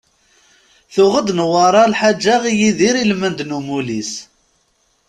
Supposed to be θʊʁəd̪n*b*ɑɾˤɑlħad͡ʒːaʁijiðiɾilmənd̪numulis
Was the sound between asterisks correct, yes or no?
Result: no